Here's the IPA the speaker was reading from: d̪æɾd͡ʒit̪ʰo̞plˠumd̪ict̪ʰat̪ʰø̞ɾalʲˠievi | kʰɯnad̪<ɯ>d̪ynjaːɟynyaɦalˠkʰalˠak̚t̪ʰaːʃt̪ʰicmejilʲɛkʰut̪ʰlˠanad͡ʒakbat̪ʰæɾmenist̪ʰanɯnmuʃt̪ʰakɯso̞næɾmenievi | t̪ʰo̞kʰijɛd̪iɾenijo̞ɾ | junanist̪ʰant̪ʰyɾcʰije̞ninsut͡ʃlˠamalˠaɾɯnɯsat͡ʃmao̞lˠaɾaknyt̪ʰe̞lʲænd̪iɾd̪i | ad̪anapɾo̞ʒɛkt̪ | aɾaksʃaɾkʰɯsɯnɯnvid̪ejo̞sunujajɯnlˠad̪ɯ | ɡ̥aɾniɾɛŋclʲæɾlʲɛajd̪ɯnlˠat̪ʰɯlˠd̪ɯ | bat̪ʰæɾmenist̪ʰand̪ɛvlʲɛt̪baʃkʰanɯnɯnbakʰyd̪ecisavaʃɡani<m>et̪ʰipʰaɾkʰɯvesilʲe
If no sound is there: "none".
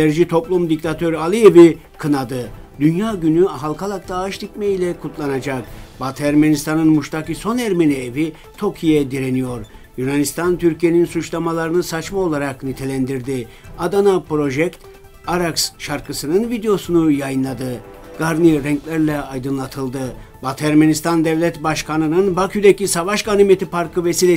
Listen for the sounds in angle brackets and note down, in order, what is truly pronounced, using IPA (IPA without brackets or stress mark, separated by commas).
ɯ, m